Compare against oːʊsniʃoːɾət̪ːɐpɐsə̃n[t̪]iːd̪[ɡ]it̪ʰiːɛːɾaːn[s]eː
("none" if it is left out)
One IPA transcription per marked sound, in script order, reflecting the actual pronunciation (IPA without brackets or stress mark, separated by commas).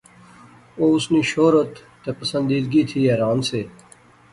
d̪, ɡ, s